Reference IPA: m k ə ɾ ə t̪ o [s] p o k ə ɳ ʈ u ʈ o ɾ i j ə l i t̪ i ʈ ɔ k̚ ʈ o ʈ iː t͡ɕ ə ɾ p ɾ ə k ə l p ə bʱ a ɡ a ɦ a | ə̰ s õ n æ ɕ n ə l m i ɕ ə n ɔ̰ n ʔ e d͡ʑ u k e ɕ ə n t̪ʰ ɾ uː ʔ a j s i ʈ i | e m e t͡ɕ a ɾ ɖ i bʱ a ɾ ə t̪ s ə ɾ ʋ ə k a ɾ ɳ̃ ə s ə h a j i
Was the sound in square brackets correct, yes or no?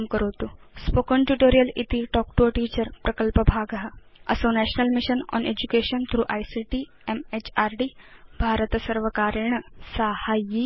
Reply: yes